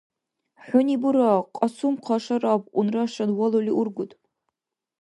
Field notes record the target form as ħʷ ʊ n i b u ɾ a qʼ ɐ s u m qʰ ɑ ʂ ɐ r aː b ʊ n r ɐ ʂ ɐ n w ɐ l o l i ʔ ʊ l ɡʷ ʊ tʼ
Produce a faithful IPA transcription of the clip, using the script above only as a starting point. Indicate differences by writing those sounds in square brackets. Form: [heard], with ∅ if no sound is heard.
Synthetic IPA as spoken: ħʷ ʊ n i b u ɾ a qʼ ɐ s u m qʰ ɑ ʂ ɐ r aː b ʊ n r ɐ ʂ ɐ n w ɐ l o l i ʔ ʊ [r] ɡʷ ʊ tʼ